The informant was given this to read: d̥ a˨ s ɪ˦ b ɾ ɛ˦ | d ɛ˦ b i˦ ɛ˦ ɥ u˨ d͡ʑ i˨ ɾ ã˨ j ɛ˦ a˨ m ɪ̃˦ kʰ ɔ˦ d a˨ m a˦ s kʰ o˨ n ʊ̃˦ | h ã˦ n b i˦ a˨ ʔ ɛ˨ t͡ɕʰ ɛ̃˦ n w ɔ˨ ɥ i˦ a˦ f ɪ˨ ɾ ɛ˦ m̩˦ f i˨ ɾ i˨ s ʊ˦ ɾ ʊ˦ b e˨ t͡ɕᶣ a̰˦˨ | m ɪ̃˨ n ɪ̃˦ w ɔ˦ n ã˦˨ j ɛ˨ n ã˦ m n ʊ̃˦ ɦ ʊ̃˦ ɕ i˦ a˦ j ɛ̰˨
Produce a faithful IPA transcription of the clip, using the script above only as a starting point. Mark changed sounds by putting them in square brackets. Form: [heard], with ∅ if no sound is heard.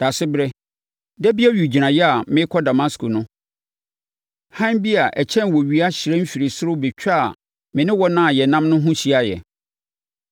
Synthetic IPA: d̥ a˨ s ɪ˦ b ɾ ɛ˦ | d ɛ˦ b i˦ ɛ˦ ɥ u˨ d͡ʑ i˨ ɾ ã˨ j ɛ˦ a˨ m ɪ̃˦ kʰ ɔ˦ d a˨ m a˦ s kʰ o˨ n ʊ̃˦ | h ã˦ n b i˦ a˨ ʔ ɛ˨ t͡ɕʰ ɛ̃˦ n w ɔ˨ ɥ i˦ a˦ [ɕ] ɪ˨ ɾ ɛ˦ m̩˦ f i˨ ɾ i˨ s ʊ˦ ɾ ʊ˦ b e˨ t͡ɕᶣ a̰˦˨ | m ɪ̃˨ n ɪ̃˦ w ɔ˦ n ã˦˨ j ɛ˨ n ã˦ m n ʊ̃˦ ɦ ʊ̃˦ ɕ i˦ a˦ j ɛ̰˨